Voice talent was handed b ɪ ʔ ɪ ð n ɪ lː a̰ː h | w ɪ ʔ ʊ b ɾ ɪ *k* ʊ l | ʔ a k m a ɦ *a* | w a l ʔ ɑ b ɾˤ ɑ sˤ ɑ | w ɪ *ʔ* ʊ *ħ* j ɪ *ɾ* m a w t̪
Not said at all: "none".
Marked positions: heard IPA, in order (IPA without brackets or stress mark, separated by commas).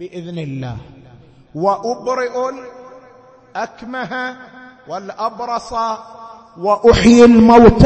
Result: ʔ, a, ʔ, ħ, l